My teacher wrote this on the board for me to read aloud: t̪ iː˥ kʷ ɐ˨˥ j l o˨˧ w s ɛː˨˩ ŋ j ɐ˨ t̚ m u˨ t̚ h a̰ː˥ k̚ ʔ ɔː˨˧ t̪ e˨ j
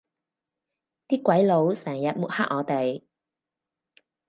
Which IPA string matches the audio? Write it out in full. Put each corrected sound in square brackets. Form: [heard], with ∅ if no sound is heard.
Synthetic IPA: t̪ iː˥ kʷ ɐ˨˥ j l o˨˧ w s ɛː˨˩ ŋ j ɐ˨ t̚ m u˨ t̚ h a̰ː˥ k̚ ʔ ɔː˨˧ t̪ e˨ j